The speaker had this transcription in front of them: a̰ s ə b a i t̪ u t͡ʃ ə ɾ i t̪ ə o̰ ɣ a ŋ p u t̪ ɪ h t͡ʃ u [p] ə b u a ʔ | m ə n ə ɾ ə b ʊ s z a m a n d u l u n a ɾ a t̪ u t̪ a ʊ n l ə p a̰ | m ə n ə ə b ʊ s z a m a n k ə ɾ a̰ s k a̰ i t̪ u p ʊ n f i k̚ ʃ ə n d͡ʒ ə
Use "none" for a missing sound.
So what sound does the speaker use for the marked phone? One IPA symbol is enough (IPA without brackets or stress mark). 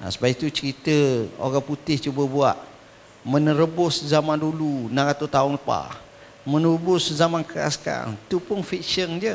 b